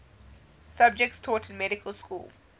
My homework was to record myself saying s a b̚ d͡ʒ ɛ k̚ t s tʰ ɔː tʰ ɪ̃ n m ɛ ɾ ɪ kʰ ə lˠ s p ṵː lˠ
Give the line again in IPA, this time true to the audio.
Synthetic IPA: s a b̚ d͡ʒ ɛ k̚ t s tʰ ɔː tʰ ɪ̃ n m ɛ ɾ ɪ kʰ ə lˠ s k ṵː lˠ